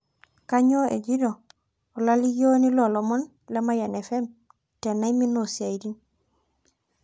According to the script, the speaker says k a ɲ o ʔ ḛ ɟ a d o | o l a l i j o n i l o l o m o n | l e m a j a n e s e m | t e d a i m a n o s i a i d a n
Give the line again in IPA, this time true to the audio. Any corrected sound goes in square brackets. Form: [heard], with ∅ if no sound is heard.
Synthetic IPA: k a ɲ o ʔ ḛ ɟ [i] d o | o l a l i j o n i l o l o m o n | l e m a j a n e [f] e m | t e [n] a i m [i] n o s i a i d [i] n